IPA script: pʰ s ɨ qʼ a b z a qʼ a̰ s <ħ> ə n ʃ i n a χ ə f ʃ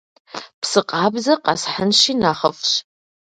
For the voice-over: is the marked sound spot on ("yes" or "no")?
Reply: yes